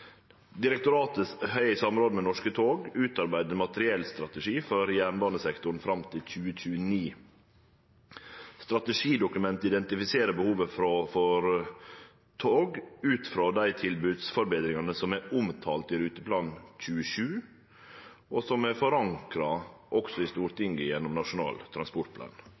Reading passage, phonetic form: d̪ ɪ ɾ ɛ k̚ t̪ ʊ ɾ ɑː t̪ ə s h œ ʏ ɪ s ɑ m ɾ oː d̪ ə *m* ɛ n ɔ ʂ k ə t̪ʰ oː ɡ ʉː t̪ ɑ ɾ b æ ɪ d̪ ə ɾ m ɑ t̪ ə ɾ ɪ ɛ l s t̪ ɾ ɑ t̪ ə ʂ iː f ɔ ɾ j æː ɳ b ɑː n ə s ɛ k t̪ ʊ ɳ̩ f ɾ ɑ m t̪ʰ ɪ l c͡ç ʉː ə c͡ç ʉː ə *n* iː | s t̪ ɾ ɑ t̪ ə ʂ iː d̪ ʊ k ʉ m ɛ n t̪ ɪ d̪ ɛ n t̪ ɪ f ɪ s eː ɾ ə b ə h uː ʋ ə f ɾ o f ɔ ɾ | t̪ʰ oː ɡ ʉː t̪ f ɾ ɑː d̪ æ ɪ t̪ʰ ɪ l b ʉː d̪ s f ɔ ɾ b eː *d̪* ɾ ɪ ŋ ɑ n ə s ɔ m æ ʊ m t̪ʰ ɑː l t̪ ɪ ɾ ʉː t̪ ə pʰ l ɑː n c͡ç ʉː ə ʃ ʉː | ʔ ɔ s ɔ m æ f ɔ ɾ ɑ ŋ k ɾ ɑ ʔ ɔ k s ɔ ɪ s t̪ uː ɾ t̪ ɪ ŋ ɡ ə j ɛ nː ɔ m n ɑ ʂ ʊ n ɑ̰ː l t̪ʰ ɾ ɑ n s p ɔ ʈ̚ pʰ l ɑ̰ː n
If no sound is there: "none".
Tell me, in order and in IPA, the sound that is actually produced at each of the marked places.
m, n, d̪

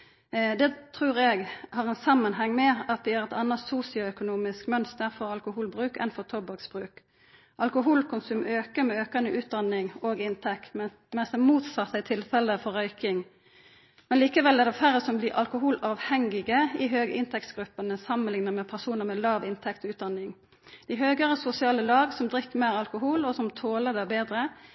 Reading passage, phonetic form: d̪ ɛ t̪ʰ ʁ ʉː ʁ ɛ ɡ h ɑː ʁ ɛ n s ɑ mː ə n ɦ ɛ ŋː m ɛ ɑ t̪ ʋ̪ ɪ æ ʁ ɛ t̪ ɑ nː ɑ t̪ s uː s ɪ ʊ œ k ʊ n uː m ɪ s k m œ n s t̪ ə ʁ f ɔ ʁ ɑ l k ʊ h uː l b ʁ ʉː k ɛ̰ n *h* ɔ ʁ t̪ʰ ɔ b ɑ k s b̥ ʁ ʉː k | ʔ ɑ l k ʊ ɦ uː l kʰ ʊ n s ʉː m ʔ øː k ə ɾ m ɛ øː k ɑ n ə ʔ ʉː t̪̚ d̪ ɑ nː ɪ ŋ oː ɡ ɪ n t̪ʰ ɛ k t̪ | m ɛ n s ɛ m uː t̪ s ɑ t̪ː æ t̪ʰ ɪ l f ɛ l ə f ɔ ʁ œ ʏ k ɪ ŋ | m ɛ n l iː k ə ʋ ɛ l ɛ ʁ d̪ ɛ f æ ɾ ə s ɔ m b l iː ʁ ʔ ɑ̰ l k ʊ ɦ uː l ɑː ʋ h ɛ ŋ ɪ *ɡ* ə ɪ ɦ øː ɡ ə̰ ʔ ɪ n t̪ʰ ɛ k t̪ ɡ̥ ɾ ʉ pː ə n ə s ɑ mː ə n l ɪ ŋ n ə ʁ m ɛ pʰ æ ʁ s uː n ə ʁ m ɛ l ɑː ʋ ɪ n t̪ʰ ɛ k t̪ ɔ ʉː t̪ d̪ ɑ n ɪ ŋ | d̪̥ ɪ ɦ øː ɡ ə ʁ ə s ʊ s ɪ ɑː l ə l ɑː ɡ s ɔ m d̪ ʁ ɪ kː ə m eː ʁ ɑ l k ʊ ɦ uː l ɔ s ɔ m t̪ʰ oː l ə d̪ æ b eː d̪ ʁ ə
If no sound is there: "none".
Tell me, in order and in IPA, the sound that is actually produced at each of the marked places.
f, ɡ

